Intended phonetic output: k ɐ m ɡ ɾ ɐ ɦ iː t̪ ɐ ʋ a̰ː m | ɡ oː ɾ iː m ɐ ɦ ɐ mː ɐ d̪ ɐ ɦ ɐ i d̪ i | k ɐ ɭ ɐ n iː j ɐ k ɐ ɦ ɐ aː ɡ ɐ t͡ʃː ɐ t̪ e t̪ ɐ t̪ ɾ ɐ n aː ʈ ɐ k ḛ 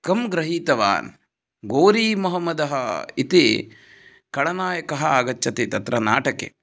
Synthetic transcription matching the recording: k ɐ m ɡ ɾ ɐ ɦ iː t̪ ɐ ʋ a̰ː n | ɡ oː ɾ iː m ɐ ɦ ɐ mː ɐ d̪ ɐ ɦ ɐ i t̪ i | k ɐ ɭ ɐ n aː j ɐ k ɐ ɦ ɐ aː ɡ ɐ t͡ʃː ɐ t̪ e t̪ ɐ t̪ ɾ ɐ n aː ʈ ɐ k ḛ

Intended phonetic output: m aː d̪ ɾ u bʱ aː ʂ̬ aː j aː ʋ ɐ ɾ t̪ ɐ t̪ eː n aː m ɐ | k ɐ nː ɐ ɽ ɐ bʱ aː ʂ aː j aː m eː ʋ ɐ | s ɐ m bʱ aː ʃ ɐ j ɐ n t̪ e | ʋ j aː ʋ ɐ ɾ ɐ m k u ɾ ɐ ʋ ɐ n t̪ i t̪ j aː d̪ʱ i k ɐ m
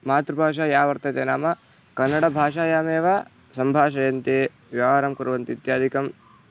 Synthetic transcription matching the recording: m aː t̪ ɾ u bʱ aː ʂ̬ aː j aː ʋ ɐ ɾ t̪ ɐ t̪ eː n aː m ɐ | k ɐ nː ɐ ɽ ɐ bʱ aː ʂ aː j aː m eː ʋ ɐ | s ɐ m bʱ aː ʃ ɐ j ɐ n t̪ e | ʋ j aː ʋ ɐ ɾ ɐ m k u ɾ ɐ ʋ ɐ n t̪ i t̪ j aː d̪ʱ i k ɐ m

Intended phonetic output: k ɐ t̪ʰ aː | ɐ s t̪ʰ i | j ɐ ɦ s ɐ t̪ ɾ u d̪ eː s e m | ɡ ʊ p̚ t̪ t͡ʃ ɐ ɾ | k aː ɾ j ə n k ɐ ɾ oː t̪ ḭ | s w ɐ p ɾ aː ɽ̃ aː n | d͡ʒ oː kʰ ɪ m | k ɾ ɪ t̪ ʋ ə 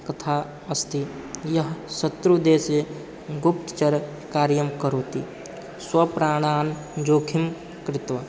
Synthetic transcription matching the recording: k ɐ t̪ʰ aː | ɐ s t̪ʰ i | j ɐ ɦ s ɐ t̪ ɾ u d̪ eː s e | ɡ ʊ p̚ t̪ t͡ʃ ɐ ɾ | k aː ɾ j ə m k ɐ ɾ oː t̪ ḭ | s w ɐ p ɾ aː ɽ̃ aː n | d͡ʒ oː kʰ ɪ m | k ɾ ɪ t̪ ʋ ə

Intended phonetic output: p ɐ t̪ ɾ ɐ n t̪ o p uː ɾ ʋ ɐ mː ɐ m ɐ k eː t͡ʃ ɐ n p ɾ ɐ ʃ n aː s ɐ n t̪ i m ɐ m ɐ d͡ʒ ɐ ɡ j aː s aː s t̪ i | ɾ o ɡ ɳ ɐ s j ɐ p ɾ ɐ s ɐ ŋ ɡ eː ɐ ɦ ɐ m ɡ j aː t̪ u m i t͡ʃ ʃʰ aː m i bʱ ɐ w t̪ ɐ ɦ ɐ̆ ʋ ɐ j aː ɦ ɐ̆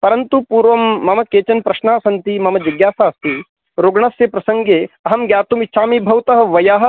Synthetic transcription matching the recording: p ɐ ɾ ɐ n t̪ u p uː ɾ ʋ ɐ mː ɐ m ɐ k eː t͡ʃ ɐ n p ɾ ɐ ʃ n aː s ɐ n t̪ i m ɐ m ɐ d͡ʒ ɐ ɡ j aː s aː s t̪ i | ɾ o ɡ ɳ ɐ s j ɐ p ɾ ɐ s ɐ ŋ ɡ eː ɐ ɦ ɐ m ɡ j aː t̪ u m i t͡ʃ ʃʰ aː m i bʱ ɐ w t̪ ɐ ɦ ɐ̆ ʋ ɐ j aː ɦ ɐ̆

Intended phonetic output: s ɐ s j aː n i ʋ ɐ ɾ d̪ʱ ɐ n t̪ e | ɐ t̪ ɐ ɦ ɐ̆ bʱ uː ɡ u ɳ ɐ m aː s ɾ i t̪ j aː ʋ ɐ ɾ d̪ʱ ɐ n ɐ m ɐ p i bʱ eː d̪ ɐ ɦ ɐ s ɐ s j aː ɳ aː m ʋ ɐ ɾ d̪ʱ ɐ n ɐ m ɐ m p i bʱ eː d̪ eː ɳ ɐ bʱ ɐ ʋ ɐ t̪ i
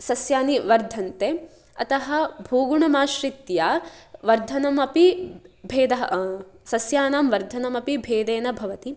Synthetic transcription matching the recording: s ɐ s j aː n i ʋ ɐ ɾ d̪ʱ ɐ n t̪ e | ɐ t̪ ɐ ɦ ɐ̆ bʱ uː ɡ u ɳ ɐ m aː ʃ ɾ i t̪ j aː ʋ ɐ ɾ d̪ʱ ɐ n ɐ m ɐ p i bʱ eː d̪ ɐ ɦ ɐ s ɐ s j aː n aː m ʋ ɐ ɾ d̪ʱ ɐ n ɐ m ɐ p i bʱ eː d̪ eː n ɐ bʱ ɐ ʋ ɐ t̪ i

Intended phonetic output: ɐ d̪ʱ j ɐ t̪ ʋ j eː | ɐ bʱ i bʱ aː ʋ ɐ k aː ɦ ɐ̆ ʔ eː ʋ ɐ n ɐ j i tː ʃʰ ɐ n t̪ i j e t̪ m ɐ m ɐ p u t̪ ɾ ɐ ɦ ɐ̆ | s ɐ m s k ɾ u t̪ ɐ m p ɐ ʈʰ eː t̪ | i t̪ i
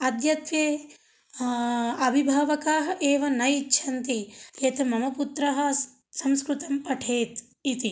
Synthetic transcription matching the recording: ɐ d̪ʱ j ɐ t̪ ʋ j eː | ɐ bʱ i bʱ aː ʋ ɐ k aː ɦ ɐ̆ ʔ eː ʋ ɐ n ɐ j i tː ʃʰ ɐ n t̪ i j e t̪ m ɐ m ɐ p u t̪ ɾ ɐ ɦ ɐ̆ | s ɐ m s k ɾ u t̪ ɐ m p ɐ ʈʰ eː t̪ | i t̪ i

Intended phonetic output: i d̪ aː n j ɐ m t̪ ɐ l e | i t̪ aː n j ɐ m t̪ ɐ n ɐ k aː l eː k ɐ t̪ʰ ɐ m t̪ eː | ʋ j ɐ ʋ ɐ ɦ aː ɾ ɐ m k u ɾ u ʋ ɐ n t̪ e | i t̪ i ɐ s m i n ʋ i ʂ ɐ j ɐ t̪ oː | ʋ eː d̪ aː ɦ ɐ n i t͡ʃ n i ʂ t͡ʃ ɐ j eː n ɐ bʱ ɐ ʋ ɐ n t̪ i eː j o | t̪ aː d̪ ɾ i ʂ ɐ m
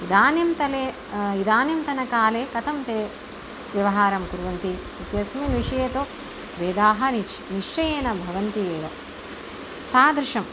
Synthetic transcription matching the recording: i d̪ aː n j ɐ m t̪ ɐ l e | i d̪ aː n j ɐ m t̪ ɐ n ɐ k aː l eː k ɐ t̪ʰ ɐ m t̪ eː | ʋ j ɐ ʋ ɐ ɦ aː ɾ ɐ m k u ɾ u ʋ ɐ n t̪ i | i t̪ j ɐ s m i n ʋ i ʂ ɐ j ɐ t̪ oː | ʋ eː d̪ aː ɦ ɐ n i t͡ʃ n i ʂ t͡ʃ ɐ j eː n ɐ bʱ ɐ ʋ ɐ n t̪ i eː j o | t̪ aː d̪ ɾ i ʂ ɐ m

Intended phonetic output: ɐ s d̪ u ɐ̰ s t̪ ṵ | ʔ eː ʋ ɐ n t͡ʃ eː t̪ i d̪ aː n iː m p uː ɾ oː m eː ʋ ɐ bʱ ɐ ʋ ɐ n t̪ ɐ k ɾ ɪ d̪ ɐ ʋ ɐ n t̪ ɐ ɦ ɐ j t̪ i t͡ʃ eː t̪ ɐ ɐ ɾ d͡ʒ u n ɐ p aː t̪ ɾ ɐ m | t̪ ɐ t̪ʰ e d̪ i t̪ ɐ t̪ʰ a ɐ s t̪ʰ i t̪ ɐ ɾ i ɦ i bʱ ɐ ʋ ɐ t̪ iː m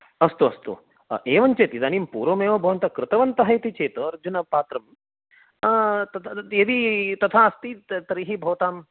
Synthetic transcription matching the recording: ɐ s t̪ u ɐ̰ s t̪ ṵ | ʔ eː ʋ ɐ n t͡ʃ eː t̪ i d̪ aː n iː m p uː ɾ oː m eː ʋ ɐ bʱ ɐ ʋ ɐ n t̪ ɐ k ɾ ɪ t̪ ɐ ʋ ɐ n t̪ ɐ ɦ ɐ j t̪ i t͡ʃ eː t̪ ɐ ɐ ɾ d͡ʒ u n ɐ p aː t̪ ɾ ɐ m | t̪ ɐ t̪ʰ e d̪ i t̪ ɐ t̪ʰ a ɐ s t̪ i t̪ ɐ ɾ i ɦ i bʱ ɐ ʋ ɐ t̪ aː m

